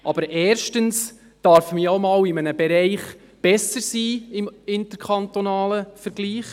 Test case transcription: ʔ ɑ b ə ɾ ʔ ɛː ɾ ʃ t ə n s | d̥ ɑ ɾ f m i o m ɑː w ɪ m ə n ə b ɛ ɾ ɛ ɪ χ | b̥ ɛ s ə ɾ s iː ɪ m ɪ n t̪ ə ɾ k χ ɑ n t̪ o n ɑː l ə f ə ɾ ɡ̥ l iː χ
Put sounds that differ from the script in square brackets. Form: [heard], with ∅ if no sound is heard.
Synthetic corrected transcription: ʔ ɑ b ə ɾ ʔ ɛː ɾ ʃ t ə n s | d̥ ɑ ɾ f m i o m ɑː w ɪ m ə n ə b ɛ ɾ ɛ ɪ χ | b̥ ɛ s ə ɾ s iː ɪ m ɪ n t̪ ə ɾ k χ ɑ n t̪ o n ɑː l ə f ə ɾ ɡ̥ l iː χ

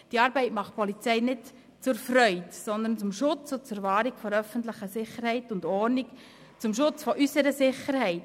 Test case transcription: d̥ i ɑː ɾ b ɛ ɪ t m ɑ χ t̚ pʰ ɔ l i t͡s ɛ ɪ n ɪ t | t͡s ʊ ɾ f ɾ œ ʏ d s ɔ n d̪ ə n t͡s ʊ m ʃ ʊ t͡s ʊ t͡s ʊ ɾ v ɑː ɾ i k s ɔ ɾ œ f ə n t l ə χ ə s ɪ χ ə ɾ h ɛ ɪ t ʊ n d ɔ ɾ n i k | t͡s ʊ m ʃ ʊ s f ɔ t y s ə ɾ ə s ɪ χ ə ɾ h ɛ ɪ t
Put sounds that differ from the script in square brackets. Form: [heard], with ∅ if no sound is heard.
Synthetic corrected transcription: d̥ i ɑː ɾ b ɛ ɪ t m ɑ χ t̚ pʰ ɔ l i t͡s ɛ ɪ n ɪ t | t͡s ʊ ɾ f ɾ œ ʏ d s ɔ n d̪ ə n t͡s ʊ m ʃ ʊ t͡s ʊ t͡s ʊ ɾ v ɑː ɾ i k [f] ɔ ɾ œ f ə n t l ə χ ə s ɪ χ ə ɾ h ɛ ɪ t ʊ n d ɔ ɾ n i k | t͡s ʊ m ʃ ʊ [t͡s] f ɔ [ʔ] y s ə ɾ ə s ɪ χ ə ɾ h ɛ ɪ t

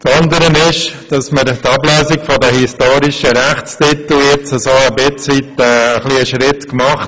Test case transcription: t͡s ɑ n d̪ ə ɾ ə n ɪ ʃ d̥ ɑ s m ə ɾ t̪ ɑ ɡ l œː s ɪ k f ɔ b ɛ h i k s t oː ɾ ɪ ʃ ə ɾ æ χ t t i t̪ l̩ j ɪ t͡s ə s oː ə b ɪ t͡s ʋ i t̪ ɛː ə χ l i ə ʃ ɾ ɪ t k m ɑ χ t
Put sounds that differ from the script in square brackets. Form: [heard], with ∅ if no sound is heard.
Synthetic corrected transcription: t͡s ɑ n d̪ ə ɾ ə n ɪ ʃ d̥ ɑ s m ə ɾ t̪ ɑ [b] l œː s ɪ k f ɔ [d] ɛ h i [∅] s t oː ɾ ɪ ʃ ə ɾ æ χ [t͡s] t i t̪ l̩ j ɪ t͡s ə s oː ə b ɪ t͡s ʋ i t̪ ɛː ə χ l i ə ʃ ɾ ɪ t k m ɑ χ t

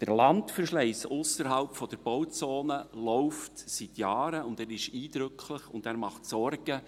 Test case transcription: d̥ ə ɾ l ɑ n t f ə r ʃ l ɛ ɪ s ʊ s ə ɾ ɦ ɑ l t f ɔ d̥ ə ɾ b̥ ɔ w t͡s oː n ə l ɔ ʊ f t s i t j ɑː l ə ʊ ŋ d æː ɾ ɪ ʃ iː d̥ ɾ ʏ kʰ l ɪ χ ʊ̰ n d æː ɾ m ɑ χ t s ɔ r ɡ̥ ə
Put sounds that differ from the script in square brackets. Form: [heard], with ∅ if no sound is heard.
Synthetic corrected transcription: d̥ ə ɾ l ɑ n t f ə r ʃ l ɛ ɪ s ʊ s ə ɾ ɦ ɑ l [p] f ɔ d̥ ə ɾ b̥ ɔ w t͡s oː n ə l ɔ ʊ f t s i t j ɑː [ɾ] ə ʊ [n] d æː ɾ ɪ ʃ iː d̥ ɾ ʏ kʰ l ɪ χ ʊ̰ n d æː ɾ m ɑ χ t s ɔ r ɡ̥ ə

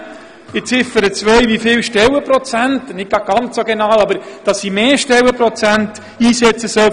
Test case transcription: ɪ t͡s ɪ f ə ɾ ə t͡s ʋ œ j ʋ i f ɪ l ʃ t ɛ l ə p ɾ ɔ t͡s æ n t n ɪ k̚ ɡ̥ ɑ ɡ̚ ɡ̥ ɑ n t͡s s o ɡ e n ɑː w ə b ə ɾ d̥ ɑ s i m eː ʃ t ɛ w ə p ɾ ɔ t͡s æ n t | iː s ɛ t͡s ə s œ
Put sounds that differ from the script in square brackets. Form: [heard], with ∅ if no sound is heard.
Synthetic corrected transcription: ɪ t͡s ɪ f ə ɾ ə t͡s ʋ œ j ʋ i f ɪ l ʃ t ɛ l ə p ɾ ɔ t͡s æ n t n ɪ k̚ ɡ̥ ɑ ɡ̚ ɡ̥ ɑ n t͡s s o ɡ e n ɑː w [ɑ] b ə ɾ d̥ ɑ s i m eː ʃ t ɛ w ə p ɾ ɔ t͡s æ n t | iː s ɛ t͡s ə s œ

